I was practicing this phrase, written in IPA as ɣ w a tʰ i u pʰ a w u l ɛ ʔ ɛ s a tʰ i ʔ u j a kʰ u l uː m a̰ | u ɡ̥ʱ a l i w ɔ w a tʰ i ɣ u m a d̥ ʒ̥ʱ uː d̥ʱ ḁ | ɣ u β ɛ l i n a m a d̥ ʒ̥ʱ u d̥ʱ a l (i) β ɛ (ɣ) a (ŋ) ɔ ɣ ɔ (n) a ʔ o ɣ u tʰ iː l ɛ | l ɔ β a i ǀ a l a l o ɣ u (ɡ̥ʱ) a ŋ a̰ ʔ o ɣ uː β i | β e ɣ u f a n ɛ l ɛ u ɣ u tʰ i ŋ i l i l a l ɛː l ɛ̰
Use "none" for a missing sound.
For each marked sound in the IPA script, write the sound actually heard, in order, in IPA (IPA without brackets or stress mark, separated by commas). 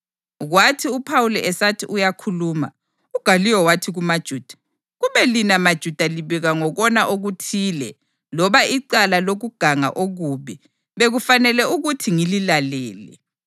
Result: i, ɣ, ŋ, n, ɡ̥ʱ